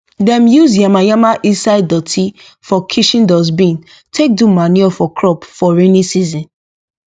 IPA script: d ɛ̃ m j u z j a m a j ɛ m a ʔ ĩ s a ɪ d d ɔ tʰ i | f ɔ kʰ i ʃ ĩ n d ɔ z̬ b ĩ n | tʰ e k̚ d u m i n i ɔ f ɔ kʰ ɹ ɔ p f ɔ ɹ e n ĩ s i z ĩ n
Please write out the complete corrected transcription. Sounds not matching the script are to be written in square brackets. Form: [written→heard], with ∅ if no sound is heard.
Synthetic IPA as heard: d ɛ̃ m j u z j a m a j [ɛ→a] m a ʔ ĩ s a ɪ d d ɔ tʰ i | f ɔ kʰ i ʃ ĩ n d ɔ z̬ b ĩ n | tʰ e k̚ d u m [i→a] n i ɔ f ɔ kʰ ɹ ɔ p f ɔ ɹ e n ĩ s i z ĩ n